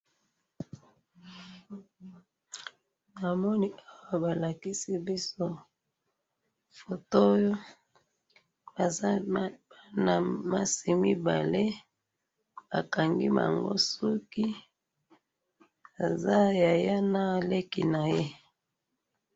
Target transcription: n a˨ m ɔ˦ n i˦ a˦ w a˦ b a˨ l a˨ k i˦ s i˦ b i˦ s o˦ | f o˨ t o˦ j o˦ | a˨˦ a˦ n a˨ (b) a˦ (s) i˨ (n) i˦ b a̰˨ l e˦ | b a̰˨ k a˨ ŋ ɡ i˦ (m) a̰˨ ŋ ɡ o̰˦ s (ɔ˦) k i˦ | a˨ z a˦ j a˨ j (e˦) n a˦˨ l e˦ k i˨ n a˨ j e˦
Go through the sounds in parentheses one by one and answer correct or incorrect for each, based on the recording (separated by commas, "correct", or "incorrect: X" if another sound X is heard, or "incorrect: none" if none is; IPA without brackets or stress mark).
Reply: incorrect: m, correct, incorrect: m, correct, incorrect: u˦, incorrect: a˦